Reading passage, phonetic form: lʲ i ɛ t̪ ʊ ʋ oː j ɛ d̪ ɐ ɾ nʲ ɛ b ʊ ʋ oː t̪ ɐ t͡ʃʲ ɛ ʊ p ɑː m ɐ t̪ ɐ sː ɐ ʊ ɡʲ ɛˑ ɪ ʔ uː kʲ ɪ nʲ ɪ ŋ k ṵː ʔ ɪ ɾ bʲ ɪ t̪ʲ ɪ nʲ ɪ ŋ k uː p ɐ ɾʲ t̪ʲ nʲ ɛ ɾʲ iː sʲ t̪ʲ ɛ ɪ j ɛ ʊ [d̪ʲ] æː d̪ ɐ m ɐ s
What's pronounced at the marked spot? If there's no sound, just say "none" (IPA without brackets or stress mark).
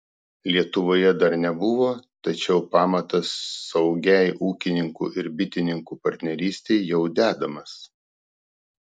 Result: d̪ʲ